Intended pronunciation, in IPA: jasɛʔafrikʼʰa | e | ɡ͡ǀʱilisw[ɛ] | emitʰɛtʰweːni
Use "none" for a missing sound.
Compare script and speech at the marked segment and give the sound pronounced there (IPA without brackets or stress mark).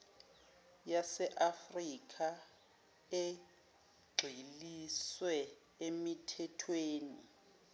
ɛ